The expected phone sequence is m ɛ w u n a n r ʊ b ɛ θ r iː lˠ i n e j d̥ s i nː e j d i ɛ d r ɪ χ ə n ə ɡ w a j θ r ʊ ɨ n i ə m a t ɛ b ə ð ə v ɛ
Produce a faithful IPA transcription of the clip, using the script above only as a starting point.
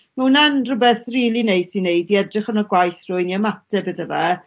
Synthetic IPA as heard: m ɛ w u n a n r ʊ b ɛ θ r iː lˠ i n e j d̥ s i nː e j d i ɛ d r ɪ χ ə n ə ɡ w a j θ r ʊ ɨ n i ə m a t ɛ b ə ð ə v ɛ